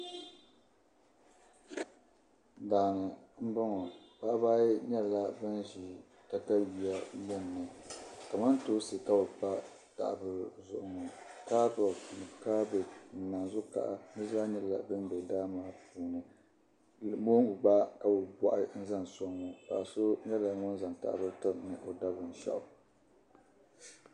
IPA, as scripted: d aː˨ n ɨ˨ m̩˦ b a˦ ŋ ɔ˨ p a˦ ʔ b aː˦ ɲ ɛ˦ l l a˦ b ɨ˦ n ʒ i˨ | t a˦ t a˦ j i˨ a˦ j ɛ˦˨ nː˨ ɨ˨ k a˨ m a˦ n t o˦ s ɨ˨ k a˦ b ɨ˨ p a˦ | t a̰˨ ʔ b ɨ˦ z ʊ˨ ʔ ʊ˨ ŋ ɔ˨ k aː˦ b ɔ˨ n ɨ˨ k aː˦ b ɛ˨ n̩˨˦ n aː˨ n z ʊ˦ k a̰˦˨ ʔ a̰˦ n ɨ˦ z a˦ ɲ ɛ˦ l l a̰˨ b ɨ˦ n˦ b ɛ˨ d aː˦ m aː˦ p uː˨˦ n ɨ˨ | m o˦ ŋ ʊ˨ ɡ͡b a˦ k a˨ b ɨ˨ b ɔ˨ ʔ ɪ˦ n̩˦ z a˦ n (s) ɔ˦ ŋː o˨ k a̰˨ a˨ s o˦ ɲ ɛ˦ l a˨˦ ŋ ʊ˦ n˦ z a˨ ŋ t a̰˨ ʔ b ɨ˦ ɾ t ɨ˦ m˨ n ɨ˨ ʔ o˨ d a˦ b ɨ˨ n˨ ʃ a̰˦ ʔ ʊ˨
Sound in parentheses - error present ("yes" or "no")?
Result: no